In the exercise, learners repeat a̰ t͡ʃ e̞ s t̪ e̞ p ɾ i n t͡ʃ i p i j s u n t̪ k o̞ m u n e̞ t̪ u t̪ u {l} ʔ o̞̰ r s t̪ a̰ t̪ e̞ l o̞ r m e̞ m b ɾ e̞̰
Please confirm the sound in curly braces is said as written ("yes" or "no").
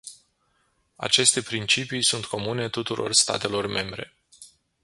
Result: no